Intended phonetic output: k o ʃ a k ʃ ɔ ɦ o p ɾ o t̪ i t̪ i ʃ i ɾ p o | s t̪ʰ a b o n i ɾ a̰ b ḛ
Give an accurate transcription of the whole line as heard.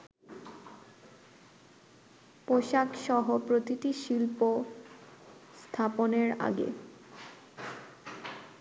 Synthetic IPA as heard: p o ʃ a k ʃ ɔ ɦ o p ɾ o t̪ i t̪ i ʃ i l p o | s t̪ʰ a p o n e ɾ a̰ ɡ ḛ